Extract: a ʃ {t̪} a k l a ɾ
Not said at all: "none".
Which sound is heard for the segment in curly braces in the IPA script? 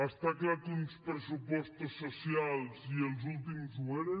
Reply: t̪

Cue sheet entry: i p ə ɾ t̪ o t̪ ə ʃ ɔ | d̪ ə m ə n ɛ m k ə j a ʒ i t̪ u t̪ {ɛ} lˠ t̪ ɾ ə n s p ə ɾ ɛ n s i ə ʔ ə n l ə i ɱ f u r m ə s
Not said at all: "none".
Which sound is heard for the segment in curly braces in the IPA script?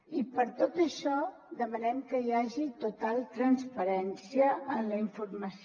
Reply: a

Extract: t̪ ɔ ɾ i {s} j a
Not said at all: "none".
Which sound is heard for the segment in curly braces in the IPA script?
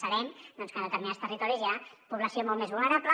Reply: z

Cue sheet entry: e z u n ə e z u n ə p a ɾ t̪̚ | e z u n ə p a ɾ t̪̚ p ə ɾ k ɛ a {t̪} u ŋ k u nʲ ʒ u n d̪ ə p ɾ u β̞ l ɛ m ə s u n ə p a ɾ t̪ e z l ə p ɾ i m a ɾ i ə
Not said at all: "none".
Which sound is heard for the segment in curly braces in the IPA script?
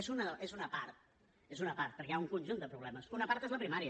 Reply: none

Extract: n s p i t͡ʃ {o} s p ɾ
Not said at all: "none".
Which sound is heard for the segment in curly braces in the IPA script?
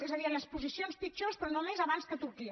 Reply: o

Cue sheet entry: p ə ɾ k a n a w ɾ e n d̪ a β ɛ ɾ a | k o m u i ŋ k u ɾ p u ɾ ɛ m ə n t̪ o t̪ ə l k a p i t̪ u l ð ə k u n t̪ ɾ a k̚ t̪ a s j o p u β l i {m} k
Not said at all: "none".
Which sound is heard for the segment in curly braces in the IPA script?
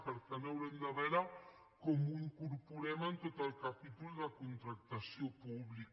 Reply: none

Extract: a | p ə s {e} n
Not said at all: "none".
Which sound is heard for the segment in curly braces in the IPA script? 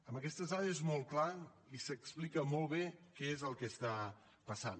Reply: a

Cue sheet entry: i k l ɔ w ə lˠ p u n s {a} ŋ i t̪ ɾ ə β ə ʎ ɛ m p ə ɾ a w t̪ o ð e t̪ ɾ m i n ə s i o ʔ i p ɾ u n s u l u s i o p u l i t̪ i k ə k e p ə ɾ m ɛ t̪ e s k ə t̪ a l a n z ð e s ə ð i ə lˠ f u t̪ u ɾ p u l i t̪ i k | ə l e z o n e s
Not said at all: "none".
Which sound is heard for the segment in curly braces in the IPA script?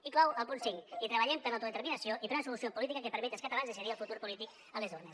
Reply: i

